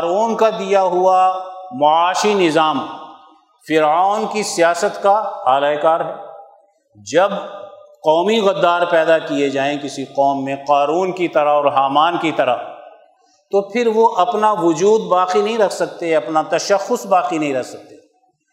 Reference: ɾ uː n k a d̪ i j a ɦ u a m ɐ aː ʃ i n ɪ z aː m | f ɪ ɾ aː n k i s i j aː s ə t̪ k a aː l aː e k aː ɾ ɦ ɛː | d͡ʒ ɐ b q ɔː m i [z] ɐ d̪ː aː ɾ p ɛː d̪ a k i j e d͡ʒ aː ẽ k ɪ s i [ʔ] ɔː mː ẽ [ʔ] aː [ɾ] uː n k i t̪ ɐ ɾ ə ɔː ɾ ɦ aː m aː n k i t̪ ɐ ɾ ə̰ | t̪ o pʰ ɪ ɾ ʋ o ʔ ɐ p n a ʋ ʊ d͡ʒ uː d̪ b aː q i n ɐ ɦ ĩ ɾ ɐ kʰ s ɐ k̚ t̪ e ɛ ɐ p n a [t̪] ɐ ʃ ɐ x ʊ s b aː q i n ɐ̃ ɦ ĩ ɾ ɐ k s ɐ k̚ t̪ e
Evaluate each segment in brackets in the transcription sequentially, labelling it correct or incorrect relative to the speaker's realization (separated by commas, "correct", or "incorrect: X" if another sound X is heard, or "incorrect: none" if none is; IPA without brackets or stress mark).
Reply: incorrect: ɣ, incorrect: q, incorrect: q, correct, correct